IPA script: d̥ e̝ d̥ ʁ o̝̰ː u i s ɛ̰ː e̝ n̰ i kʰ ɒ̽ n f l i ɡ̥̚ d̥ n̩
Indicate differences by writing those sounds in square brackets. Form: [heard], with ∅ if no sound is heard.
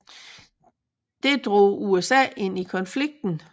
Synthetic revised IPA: d̥ e̝ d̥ ʁ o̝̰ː u [e] s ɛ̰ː e̝ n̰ i kʰ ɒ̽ n f l i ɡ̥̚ d̥ n̩